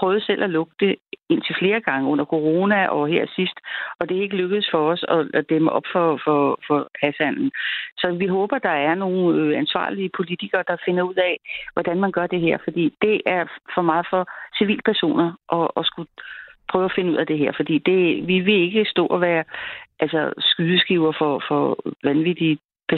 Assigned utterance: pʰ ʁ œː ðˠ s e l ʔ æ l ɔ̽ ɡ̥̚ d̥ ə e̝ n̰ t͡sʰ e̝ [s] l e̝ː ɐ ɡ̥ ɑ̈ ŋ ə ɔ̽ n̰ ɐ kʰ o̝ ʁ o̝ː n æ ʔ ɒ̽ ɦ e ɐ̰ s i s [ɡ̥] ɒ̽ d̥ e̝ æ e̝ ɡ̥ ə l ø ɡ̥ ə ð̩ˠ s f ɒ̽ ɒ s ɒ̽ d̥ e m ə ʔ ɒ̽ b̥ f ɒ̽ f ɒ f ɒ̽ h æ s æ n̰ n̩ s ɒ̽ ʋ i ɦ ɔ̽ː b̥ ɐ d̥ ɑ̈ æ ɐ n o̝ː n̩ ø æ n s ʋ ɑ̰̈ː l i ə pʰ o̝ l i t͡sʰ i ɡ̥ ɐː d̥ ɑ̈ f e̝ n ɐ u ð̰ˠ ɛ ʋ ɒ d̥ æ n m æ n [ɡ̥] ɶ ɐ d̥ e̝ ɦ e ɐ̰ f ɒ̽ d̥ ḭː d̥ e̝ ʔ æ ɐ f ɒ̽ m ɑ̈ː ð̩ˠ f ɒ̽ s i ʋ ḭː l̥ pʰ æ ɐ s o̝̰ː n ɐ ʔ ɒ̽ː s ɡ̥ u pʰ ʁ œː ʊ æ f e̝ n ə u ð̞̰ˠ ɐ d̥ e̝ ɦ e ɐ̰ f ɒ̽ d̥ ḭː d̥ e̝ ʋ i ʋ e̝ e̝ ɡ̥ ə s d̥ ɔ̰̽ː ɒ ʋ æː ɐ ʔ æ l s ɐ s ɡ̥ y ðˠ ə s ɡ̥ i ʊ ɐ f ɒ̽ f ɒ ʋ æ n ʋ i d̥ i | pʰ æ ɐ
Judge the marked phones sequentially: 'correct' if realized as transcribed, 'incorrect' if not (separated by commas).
incorrect, incorrect, correct